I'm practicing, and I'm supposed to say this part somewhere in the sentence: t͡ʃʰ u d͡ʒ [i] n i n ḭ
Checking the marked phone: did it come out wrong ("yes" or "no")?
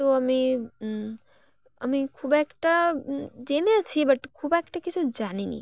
yes